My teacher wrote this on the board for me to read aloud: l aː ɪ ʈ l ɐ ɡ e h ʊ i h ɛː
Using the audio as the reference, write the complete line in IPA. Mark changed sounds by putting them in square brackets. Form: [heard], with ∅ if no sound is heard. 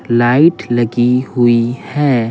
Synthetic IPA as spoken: l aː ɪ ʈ l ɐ ɡ [i] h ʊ i h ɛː